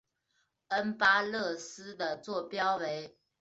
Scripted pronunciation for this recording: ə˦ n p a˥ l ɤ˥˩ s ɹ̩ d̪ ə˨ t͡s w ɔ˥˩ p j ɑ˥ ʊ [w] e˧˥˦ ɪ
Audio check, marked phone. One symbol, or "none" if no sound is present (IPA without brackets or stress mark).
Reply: w